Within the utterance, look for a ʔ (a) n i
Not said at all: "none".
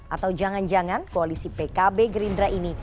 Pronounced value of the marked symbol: i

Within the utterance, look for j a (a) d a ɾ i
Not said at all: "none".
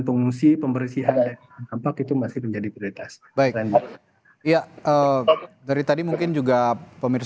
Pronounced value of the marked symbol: ə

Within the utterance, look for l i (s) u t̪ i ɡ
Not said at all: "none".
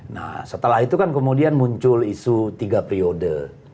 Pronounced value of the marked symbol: s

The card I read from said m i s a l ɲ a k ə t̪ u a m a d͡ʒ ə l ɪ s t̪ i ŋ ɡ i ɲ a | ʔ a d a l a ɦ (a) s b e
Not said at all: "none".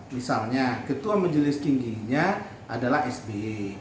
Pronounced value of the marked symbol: ɛ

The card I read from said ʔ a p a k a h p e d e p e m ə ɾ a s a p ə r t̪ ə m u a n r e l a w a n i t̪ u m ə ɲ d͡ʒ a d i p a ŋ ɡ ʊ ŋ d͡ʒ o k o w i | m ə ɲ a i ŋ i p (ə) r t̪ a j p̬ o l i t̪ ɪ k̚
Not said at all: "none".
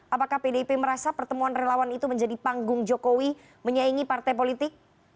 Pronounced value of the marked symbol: a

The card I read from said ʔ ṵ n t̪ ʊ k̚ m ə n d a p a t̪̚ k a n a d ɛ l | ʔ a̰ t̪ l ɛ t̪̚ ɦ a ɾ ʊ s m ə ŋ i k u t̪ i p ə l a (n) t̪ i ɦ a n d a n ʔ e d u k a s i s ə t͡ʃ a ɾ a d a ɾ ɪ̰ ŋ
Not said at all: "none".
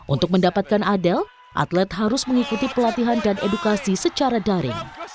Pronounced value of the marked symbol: none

